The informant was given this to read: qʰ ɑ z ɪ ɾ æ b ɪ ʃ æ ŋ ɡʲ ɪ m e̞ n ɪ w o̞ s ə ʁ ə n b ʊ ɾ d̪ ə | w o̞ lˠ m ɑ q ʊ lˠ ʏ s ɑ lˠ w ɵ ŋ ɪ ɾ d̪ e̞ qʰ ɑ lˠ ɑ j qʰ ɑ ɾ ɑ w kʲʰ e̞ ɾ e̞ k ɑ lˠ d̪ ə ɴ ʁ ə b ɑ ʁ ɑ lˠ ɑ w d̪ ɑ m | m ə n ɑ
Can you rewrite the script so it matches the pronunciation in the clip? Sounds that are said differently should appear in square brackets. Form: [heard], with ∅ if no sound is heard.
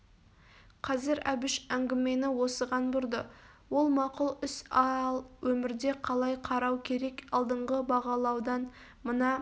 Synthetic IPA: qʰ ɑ z ɪ ɾ æ b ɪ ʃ æ ŋ ɡʲ ɪ m e̞ n ɪ w o̞ s ə ʁ [ɑ] n b ʊ ɾ d̪ ə | w o̞ lˠ m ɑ q ʊ lˠ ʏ s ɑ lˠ w ɵ [m] ɪ ɾ d̪ e̞ qʰ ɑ lˠ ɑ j qʰ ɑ ɾ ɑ w kʲʰ e̞ ɾ e̞ k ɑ lˠ d̪ ə ɴ ʁ ə b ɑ ʁ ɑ lˠ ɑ w d̪ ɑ [n] | m ə n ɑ

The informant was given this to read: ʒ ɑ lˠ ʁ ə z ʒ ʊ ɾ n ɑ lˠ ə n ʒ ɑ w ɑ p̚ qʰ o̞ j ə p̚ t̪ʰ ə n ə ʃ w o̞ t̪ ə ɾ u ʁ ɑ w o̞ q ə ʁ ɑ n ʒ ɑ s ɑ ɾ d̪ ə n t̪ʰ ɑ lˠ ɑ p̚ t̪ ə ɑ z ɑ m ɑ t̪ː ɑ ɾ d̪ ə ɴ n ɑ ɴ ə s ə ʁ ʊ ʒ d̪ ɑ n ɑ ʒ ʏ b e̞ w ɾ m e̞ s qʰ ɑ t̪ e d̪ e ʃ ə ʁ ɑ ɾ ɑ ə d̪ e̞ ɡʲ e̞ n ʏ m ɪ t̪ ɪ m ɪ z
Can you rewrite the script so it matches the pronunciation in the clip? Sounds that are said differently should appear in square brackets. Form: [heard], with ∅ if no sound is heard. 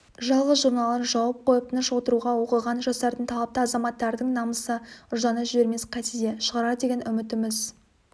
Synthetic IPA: ʒ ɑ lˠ ʁ ə z ʒ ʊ ɾ n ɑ lˠ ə n ʒ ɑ w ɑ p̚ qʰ o̞ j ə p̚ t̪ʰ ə n ə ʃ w o̞ t̪ ə ɾ u ʁ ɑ w o̞ q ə ʁ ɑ n ʒ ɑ s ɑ ɾ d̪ ə n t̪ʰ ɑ lˠ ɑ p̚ t̪ ə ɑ z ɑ m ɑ t̪ː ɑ ɾ d̪ ə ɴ n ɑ [m] ə s ə [∅] ʊ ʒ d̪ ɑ n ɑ ʒ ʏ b e̞ [∅] ɾ m e̞ s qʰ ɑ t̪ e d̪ e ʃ ə ʁ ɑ ɾ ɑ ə d̪ e̞ ɡʲ e̞ n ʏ m ɪ t̪ ɪ m ɪ z

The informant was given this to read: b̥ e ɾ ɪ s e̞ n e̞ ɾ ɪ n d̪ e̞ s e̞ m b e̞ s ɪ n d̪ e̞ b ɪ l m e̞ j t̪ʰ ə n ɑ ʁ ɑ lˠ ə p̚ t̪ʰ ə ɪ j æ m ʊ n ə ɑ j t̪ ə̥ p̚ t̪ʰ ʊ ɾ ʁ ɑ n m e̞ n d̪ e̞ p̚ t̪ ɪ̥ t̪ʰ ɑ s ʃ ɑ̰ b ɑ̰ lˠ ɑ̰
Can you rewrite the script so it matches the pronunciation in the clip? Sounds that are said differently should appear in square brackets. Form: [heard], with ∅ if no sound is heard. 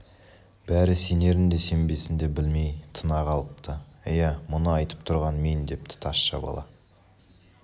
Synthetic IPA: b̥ [æ] ɾ ɪ s e̞ n e̞ ɾ ɪ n d̪ e̞ s e̞ m b e̞ s ɪ n d̪ e̞ b ɪ l m e̞ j t̪ʰ ə n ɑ ʁ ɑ lˠ ə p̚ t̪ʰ ə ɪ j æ m ʊ n ə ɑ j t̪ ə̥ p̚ t̪ʰ ʊ ɾ ʁ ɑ n m e̞ n d̪ e̞ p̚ t̪ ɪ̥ t̪ʰ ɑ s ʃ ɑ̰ b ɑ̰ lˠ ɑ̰

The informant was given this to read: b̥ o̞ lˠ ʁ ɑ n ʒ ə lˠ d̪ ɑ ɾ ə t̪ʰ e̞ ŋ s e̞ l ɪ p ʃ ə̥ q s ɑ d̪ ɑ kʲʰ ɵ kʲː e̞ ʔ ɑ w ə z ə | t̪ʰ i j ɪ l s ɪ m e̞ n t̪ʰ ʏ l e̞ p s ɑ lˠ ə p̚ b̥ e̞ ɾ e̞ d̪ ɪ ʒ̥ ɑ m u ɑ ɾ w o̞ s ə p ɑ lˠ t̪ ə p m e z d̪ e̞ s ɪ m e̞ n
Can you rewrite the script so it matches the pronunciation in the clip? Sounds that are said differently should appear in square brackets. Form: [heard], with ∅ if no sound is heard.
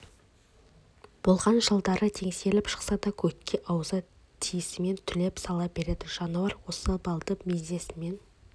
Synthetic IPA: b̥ o̞ lˠ ʁ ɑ n ʒ ə lˠ d̪ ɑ ɾ ə t̪ʰ e̞ ŋ s e̞ l ɪ p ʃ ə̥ q s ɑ d̪ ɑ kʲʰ ɵ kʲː e̞ ʔ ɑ w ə z ə | t̪ʰ i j ɪ [∅] s ɪ m e̞ n t̪ʰ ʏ l e̞ p s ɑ lˠ [ɑ] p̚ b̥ e̞ ɾ e̞ d̪ ɪ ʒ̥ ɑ [n] u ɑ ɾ w o̞ s ə [b] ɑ lˠ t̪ ə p m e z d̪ e̞ s ɪ m e̞ n

